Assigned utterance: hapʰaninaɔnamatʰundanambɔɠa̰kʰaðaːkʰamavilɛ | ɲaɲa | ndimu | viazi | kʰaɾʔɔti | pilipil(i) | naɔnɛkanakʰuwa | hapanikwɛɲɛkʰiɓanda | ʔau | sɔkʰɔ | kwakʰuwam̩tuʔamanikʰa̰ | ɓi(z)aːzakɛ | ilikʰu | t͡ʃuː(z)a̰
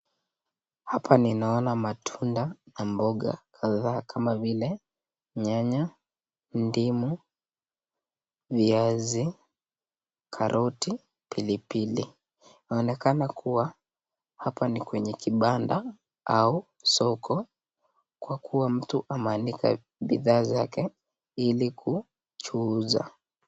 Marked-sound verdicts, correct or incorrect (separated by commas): correct, incorrect, correct